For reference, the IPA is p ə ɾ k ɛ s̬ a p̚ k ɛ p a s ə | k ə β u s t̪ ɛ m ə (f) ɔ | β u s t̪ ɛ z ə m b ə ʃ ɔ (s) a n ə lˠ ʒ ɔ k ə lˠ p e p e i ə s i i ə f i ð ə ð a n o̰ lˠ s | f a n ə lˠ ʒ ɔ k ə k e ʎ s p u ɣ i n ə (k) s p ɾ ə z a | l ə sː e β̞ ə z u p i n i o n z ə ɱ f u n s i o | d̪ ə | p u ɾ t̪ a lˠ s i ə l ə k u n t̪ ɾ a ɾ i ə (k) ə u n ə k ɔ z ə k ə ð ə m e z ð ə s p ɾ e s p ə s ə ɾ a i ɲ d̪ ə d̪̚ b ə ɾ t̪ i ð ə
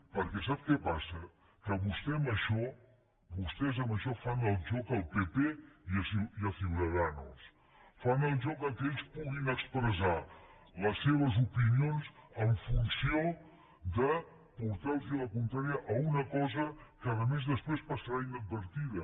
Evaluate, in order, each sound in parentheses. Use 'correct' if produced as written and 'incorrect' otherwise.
incorrect, incorrect, correct, incorrect

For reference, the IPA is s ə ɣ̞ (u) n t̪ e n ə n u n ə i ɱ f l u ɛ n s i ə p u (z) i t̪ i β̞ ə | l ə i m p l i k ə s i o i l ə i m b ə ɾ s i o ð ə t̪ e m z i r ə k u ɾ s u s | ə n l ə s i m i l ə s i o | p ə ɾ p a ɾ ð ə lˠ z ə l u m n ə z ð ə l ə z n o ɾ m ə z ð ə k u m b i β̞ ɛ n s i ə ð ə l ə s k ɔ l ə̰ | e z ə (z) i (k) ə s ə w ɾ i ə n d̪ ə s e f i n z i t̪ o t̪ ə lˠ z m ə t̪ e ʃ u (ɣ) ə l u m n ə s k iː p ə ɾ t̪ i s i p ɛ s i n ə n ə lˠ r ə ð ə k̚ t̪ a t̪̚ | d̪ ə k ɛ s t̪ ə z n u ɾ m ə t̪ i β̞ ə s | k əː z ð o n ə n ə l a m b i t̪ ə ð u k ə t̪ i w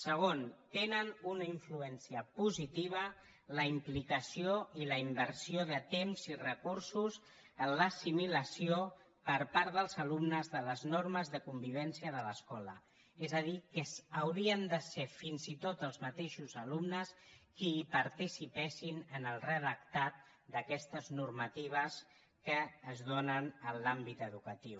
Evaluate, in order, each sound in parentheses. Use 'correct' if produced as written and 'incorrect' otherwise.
incorrect, correct, incorrect, correct, incorrect

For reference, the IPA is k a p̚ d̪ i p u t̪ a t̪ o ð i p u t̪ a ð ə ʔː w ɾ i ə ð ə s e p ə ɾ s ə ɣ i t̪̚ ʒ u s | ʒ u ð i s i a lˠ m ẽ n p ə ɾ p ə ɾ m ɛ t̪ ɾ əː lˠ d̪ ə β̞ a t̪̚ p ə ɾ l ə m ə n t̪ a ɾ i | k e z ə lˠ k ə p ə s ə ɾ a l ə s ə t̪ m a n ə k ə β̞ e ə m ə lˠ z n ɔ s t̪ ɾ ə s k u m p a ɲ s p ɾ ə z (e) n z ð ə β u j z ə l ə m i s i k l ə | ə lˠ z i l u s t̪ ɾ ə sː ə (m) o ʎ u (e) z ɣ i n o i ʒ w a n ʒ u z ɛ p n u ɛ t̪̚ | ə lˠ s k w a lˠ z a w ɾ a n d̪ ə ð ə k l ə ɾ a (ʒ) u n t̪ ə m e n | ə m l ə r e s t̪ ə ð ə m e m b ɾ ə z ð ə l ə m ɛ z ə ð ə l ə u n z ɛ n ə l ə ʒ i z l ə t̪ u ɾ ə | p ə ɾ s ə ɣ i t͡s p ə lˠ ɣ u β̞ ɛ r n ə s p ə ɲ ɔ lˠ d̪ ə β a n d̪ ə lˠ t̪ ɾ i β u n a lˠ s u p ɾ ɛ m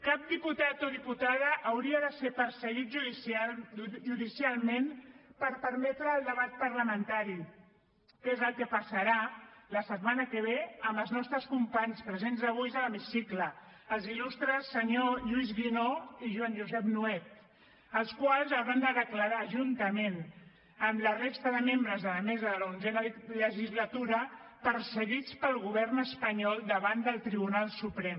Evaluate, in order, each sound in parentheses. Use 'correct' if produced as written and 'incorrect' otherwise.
correct, incorrect, incorrect, correct

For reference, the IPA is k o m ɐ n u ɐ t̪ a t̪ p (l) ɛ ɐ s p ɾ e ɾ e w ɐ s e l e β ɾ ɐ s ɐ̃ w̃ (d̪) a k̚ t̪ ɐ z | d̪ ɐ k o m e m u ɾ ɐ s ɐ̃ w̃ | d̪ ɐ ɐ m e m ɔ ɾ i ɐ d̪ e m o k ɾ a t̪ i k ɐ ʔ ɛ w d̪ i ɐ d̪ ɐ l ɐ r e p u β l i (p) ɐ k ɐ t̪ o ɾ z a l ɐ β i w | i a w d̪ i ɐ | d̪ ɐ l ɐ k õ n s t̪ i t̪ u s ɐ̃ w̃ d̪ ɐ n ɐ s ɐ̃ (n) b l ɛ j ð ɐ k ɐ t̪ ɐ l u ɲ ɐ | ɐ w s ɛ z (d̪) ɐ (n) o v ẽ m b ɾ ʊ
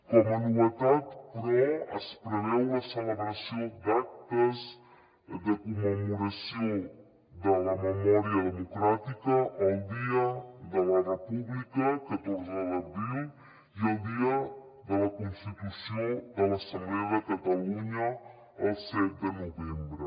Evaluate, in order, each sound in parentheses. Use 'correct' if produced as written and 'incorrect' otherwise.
incorrect, correct, incorrect, incorrect, correct, correct

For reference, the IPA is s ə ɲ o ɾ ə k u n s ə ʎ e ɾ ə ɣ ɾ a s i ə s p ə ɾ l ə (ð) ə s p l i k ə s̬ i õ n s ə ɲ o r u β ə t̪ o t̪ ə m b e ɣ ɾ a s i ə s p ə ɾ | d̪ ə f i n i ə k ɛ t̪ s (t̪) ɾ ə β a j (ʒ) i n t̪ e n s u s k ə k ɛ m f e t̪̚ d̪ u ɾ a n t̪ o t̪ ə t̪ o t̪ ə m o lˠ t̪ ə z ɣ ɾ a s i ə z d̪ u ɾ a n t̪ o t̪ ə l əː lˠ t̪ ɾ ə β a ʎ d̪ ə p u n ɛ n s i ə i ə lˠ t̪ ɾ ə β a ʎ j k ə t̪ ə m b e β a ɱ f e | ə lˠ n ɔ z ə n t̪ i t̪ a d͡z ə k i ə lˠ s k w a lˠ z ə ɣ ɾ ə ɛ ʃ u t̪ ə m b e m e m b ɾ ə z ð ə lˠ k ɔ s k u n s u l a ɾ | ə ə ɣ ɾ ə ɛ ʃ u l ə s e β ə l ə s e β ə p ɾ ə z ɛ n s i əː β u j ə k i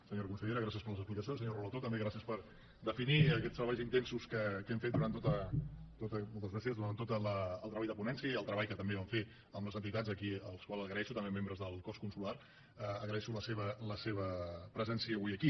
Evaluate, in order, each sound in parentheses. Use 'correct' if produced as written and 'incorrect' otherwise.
incorrect, correct, incorrect

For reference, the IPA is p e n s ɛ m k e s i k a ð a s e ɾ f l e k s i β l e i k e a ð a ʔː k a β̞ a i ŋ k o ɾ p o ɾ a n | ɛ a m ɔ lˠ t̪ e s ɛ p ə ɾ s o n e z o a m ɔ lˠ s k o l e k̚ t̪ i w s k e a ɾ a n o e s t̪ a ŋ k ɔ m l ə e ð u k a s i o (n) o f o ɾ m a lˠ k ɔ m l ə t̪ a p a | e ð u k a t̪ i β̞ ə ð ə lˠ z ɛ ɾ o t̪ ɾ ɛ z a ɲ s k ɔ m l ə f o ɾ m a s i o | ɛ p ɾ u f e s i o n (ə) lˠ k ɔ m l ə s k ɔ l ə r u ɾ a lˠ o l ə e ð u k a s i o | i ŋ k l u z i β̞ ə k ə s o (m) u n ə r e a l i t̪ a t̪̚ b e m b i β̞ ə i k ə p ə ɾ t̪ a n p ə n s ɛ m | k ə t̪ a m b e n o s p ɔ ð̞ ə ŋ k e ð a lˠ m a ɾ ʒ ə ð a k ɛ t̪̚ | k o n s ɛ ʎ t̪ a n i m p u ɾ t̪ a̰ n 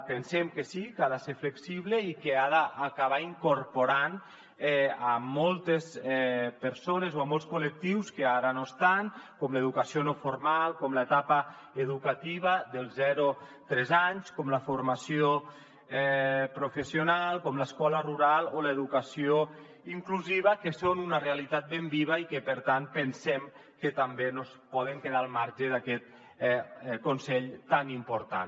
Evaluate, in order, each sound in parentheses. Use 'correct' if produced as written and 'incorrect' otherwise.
correct, incorrect, incorrect

